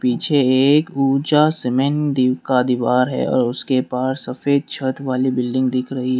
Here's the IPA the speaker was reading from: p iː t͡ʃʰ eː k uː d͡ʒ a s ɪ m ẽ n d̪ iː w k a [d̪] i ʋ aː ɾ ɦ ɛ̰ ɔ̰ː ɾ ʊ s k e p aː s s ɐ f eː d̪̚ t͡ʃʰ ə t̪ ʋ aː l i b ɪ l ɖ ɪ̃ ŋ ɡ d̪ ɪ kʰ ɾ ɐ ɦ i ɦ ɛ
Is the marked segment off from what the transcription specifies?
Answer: no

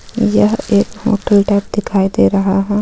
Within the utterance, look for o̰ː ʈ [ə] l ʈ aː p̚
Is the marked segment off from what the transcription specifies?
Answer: no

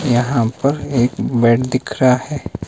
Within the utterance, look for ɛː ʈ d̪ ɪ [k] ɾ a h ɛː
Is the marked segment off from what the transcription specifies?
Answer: yes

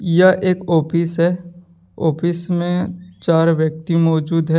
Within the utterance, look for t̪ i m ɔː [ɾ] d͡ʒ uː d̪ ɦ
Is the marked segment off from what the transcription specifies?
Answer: yes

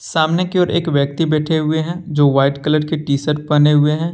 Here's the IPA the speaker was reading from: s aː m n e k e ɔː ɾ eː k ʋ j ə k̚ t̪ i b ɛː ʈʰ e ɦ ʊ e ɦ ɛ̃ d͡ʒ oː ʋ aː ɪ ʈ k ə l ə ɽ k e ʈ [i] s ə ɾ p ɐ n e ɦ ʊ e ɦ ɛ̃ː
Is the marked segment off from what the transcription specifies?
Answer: yes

